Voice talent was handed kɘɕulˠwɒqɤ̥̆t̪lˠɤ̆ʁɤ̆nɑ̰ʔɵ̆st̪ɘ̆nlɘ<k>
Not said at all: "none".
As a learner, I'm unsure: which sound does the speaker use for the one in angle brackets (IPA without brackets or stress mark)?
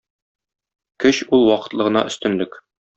k